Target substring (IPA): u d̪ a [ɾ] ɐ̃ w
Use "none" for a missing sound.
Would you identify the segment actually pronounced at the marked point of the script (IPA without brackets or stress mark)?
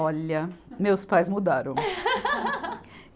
ɾ